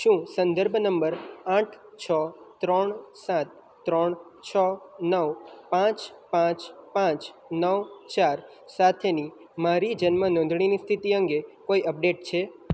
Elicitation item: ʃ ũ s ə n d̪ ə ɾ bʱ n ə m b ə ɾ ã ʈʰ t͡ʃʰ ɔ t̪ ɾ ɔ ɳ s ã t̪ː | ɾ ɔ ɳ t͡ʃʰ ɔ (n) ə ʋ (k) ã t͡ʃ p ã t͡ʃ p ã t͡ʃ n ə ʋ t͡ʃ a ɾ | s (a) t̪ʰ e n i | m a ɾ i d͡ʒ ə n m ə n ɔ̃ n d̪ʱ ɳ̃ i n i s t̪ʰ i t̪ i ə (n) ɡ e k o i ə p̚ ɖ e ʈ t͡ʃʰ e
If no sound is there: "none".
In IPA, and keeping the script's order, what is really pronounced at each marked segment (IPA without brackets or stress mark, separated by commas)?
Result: n, p, a, ŋ